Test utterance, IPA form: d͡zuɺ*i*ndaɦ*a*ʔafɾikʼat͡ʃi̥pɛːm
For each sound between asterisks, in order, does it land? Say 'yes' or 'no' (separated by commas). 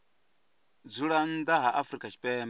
no, yes